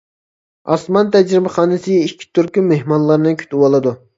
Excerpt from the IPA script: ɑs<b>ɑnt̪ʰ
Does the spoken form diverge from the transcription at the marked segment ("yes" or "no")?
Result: yes